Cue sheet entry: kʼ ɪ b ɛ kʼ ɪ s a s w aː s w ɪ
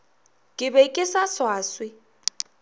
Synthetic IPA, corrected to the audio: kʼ ɪ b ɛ kʼ ɪ s a s w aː s w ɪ